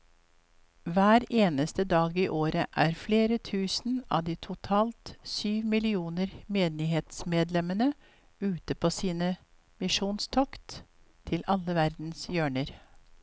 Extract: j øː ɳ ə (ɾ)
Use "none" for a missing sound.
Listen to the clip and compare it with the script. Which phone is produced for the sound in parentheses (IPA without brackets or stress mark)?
ɾ